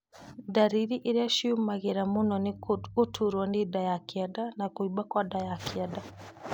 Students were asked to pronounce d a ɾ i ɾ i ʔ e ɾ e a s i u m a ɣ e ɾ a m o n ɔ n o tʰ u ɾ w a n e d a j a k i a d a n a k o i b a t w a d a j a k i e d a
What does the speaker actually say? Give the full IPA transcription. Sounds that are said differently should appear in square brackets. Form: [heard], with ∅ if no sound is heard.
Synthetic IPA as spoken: d a ɾ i ɾ i ʔ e ɾ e a [ʃ] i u m a ɣ e ɾ a m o n ɔ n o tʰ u ɾ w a n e d a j a k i a d a n a k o i b a [k] w a d a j a k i [a] d a